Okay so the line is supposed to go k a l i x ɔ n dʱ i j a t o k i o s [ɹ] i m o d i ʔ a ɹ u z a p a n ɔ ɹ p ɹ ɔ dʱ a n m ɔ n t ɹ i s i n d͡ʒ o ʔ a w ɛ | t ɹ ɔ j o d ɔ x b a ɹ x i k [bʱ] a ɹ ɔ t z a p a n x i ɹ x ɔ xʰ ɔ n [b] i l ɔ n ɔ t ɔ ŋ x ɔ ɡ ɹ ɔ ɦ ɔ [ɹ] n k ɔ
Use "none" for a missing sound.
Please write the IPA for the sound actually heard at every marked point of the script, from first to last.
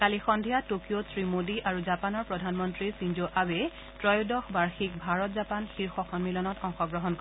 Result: ɹ, bʱ, m, none

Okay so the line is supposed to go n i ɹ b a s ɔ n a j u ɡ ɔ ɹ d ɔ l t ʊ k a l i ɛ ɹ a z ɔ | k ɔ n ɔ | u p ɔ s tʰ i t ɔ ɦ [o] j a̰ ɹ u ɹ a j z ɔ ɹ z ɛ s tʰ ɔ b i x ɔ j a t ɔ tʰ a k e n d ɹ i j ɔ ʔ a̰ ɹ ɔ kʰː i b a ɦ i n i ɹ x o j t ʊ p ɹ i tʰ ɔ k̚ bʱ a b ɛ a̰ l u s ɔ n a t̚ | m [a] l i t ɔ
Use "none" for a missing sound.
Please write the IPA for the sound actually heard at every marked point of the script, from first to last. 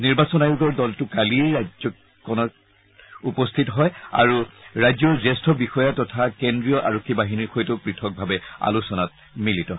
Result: ɔ, i

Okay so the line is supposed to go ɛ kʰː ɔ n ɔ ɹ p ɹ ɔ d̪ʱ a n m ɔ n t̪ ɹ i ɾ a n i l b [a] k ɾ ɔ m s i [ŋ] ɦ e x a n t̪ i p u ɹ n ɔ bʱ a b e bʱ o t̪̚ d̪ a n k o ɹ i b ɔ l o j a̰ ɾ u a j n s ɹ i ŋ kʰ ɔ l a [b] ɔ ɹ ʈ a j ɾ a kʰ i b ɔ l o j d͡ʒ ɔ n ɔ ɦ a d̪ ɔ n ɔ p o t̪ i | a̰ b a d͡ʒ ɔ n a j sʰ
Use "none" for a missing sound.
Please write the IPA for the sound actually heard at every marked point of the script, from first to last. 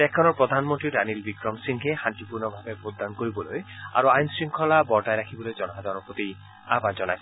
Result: i, ŋ, b

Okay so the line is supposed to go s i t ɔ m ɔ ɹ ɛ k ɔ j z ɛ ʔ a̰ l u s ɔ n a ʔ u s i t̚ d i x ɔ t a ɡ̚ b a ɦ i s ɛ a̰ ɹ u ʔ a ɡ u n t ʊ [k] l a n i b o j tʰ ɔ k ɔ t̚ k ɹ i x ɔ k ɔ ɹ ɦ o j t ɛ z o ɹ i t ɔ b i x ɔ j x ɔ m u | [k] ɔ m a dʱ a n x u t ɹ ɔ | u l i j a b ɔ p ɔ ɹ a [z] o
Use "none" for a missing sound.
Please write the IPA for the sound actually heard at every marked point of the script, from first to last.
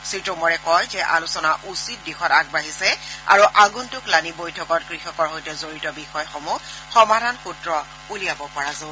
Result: k, x, z

